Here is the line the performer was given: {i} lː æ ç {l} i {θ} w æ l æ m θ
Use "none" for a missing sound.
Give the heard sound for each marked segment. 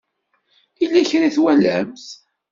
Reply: i, ɾ, θ

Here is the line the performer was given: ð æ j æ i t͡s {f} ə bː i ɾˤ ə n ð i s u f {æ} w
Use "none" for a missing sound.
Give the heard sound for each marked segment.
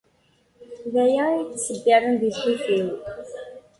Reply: s, i

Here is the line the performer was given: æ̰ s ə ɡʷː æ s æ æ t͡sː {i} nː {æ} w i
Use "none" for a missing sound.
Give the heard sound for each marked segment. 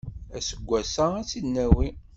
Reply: i, æ

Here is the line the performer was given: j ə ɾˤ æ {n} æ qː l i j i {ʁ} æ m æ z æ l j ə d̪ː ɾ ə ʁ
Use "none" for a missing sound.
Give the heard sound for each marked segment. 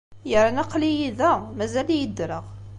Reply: n, ð

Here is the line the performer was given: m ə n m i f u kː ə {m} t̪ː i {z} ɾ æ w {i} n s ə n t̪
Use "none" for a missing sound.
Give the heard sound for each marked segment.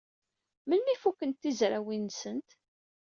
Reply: n, z, i

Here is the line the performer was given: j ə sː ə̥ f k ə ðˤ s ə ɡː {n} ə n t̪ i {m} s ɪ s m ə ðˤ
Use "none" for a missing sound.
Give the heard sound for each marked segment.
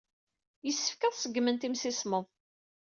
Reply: m, m

